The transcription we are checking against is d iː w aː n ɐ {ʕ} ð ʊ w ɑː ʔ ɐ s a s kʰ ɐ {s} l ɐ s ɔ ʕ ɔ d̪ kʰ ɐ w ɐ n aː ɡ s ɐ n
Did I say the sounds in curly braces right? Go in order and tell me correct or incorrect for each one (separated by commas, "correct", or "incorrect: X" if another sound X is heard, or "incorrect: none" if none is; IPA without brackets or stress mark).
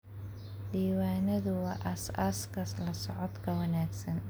incorrect: none, correct